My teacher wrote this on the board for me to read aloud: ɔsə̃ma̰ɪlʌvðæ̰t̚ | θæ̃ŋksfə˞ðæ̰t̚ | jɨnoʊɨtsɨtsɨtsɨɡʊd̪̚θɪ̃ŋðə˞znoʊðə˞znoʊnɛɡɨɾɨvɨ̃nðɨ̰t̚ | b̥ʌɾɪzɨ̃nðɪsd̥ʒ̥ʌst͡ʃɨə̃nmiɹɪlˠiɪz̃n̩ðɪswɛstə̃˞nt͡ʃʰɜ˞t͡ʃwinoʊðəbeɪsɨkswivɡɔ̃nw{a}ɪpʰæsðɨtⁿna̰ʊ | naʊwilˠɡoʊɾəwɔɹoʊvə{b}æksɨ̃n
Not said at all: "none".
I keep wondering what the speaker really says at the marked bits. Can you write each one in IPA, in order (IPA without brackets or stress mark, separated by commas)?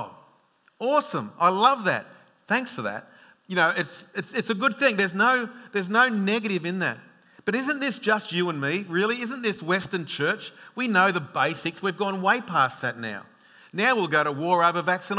e, v